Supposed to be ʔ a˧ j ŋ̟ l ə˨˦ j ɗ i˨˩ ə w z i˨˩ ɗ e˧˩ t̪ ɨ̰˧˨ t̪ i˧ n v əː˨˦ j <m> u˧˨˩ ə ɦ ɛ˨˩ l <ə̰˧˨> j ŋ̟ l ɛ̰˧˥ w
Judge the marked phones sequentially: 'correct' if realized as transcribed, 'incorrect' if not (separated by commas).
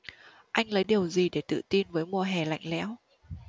correct, incorrect